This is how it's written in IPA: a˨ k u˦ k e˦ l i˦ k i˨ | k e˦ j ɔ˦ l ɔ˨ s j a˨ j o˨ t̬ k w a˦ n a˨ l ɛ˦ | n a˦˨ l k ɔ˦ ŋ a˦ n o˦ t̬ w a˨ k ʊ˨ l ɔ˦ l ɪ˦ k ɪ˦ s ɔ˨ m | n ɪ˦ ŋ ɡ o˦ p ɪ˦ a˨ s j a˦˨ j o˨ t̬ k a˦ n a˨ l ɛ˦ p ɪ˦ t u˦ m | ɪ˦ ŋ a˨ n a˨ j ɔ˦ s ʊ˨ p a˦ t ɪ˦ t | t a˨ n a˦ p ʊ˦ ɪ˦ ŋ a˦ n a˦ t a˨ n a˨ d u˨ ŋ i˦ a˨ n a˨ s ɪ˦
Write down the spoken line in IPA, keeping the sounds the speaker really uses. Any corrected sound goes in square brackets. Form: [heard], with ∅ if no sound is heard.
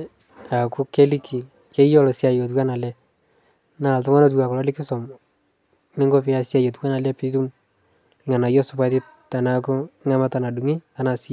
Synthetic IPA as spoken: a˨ k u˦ k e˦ l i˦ k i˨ | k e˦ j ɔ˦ l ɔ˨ s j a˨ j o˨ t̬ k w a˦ n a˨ l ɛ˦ | n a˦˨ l [t] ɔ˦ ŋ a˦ n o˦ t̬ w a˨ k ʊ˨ l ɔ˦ l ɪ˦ k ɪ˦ s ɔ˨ m | n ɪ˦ ŋ ɡ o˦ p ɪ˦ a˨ s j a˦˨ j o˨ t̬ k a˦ n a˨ l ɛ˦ p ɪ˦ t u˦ m | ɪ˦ ŋ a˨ n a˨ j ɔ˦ s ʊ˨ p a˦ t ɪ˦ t | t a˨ n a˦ [k] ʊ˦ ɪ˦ ŋ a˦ [m] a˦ t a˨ n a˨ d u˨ ŋ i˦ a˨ n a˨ s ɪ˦